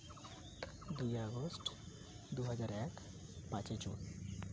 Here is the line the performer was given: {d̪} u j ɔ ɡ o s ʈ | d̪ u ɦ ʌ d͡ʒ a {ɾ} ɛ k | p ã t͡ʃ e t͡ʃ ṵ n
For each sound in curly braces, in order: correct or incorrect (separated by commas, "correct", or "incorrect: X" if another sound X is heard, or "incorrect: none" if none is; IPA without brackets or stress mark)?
correct, correct